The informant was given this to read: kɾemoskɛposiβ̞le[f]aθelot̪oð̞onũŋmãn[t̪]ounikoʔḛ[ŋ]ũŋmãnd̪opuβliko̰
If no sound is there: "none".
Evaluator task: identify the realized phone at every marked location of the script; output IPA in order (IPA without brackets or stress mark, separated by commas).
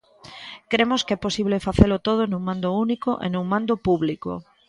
f, d̪, n